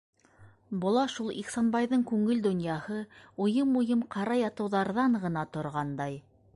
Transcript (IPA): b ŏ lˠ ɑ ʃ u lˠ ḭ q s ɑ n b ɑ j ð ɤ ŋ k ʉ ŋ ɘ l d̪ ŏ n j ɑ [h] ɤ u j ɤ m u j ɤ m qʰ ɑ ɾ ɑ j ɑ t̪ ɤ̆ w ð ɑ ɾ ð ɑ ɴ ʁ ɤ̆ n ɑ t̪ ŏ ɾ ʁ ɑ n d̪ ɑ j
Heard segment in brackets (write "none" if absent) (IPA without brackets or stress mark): h